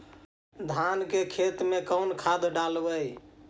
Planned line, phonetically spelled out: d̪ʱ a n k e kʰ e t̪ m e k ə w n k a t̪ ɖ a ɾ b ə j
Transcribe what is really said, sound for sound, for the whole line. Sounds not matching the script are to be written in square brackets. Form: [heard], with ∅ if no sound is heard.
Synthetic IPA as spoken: d̪ʱ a n k e kʰ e t̪ m e k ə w n [kʰ] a [d̪] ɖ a [l] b ə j